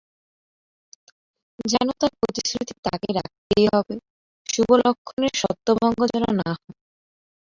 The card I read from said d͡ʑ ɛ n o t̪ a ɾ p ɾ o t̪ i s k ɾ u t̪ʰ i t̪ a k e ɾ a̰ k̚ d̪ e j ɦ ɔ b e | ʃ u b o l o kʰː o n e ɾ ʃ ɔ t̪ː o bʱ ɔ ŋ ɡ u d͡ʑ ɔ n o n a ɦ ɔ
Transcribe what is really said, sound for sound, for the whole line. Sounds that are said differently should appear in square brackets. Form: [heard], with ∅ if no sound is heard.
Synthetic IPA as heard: d͡ʑ ɛ n o t̪ a ɾ p ɾ o t̪ i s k ɾ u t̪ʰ i t̪ a k e ɾ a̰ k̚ [t̪] e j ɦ ɔ b e | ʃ u b o l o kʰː o n e ɾ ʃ ɔ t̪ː o bʱ ɔ ŋ ɡ [o] d͡ʑ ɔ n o n a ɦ ɔ

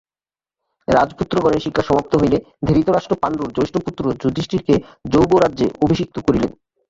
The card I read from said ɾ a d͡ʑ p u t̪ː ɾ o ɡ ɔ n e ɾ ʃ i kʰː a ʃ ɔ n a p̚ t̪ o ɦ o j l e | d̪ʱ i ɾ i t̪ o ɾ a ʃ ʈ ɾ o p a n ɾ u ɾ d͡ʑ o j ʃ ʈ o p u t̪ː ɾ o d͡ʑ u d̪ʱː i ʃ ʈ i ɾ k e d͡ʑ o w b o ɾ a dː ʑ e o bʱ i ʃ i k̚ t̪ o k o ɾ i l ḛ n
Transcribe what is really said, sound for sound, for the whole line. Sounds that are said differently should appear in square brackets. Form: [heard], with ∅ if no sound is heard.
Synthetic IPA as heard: ɾ a d͡ʑ p u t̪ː ɾ o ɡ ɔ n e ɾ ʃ i kʰː a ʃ ɔ [m] a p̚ t̪ o ɦ o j l e | d̪ʱ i ɾ i t̪ o ɾ a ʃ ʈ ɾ o p a n ɾ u ɾ d͡ʑ o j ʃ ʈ o p u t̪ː ɾ o d͡ʑ u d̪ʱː i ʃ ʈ i ɾ k e d͡ʑ o w b o ɾ a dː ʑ e o bʱ i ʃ i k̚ t̪ o k o ɾ i l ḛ n

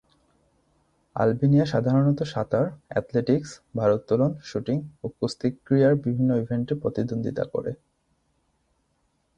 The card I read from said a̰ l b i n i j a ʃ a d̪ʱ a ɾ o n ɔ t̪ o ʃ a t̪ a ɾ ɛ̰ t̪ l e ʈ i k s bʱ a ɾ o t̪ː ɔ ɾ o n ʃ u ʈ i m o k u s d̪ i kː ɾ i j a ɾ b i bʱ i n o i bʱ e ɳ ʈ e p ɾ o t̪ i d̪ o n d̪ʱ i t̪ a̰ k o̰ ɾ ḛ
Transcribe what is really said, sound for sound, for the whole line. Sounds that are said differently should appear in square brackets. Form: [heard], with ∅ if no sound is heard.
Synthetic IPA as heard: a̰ l b i n i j a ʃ a d̪ʱ a ɾ o n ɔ t̪ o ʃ a t̪ a ɾ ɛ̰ t̪ l e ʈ i k s bʱ a ɾ o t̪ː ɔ [l] o n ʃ u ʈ i [ŋ] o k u s [t̪] i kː ɾ i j a ɾ b i bʱ i [nː] o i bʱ e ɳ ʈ e p ɾ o t̪ i d̪ o n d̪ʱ i t̪ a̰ k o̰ ɾ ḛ

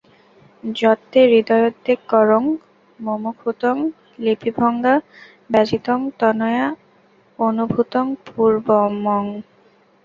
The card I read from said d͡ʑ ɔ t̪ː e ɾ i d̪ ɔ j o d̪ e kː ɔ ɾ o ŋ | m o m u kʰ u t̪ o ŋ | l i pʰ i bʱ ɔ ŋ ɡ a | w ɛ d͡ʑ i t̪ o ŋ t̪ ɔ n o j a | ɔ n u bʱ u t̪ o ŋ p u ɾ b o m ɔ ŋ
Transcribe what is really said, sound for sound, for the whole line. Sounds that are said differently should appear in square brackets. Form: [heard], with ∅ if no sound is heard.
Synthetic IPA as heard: d͡ʑ ɔ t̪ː e ɾ i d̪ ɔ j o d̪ e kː ɔ ɾ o ŋ | m o m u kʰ u t̪ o ŋ | l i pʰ i bʱ ɔ ŋ ɡ a | [b] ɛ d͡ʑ i t̪ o ŋ t̪ ɔ n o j a | [o] n u bʱ u t̪ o ŋ p u ɾ b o m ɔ ŋ

